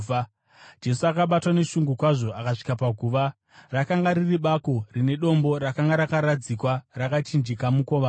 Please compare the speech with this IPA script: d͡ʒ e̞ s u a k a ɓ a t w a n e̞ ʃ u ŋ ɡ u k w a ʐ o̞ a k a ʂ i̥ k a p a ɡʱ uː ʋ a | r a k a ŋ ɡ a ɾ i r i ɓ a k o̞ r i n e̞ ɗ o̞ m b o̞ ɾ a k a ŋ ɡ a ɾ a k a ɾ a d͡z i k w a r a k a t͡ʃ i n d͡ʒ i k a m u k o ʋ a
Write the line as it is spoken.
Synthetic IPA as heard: d͡ʒ e̞ s u a k a ɓ a t w a n e̞ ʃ u ŋ ɡ u k w a ʐ o̞ a k a ʂ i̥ k a p a ɡʱ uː ʋ a | r a k a ŋ ɡ a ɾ i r i ɓ a k o̞ r i n e̞ ɗ o̞ m b o̞ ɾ a k a ŋ ɡ a ɾ a k a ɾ a d͡z i k w a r a k a t͡ʃ i n d͡ʒ i k a m u k o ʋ a